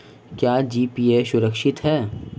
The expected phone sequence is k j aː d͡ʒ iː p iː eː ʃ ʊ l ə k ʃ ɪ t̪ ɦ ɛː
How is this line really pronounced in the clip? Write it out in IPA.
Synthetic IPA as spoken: k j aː d͡ʒ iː p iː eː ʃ ʊ ɾ ə k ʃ ɪ t̪ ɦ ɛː